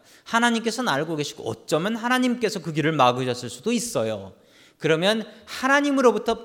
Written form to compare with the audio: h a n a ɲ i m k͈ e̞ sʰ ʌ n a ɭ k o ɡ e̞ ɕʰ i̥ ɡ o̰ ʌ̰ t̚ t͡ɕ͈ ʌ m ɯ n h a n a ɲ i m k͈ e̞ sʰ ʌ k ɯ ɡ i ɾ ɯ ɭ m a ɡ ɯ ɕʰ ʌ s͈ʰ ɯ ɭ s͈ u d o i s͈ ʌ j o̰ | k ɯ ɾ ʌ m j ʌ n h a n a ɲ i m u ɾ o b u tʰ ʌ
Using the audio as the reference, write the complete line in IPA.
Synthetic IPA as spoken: h a n a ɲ i m k͈ e̞ sʰ ʌ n a ɭ ɡ o ɡ e̞ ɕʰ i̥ ɡ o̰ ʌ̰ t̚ t͡ɕ͈ ʌ m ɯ n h a n a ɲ i m k͈ e̞ sʰ ʌ k ɯ ɡ i ɾ ɯ ɭ m a ɡ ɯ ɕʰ ʌ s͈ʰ ɯ ɭ s͈ u d o i s͈ ʌ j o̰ | k ɯ ɾ ʌ m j ʌ n h a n a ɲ i m ɯ ɾ o b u tʰ ʌ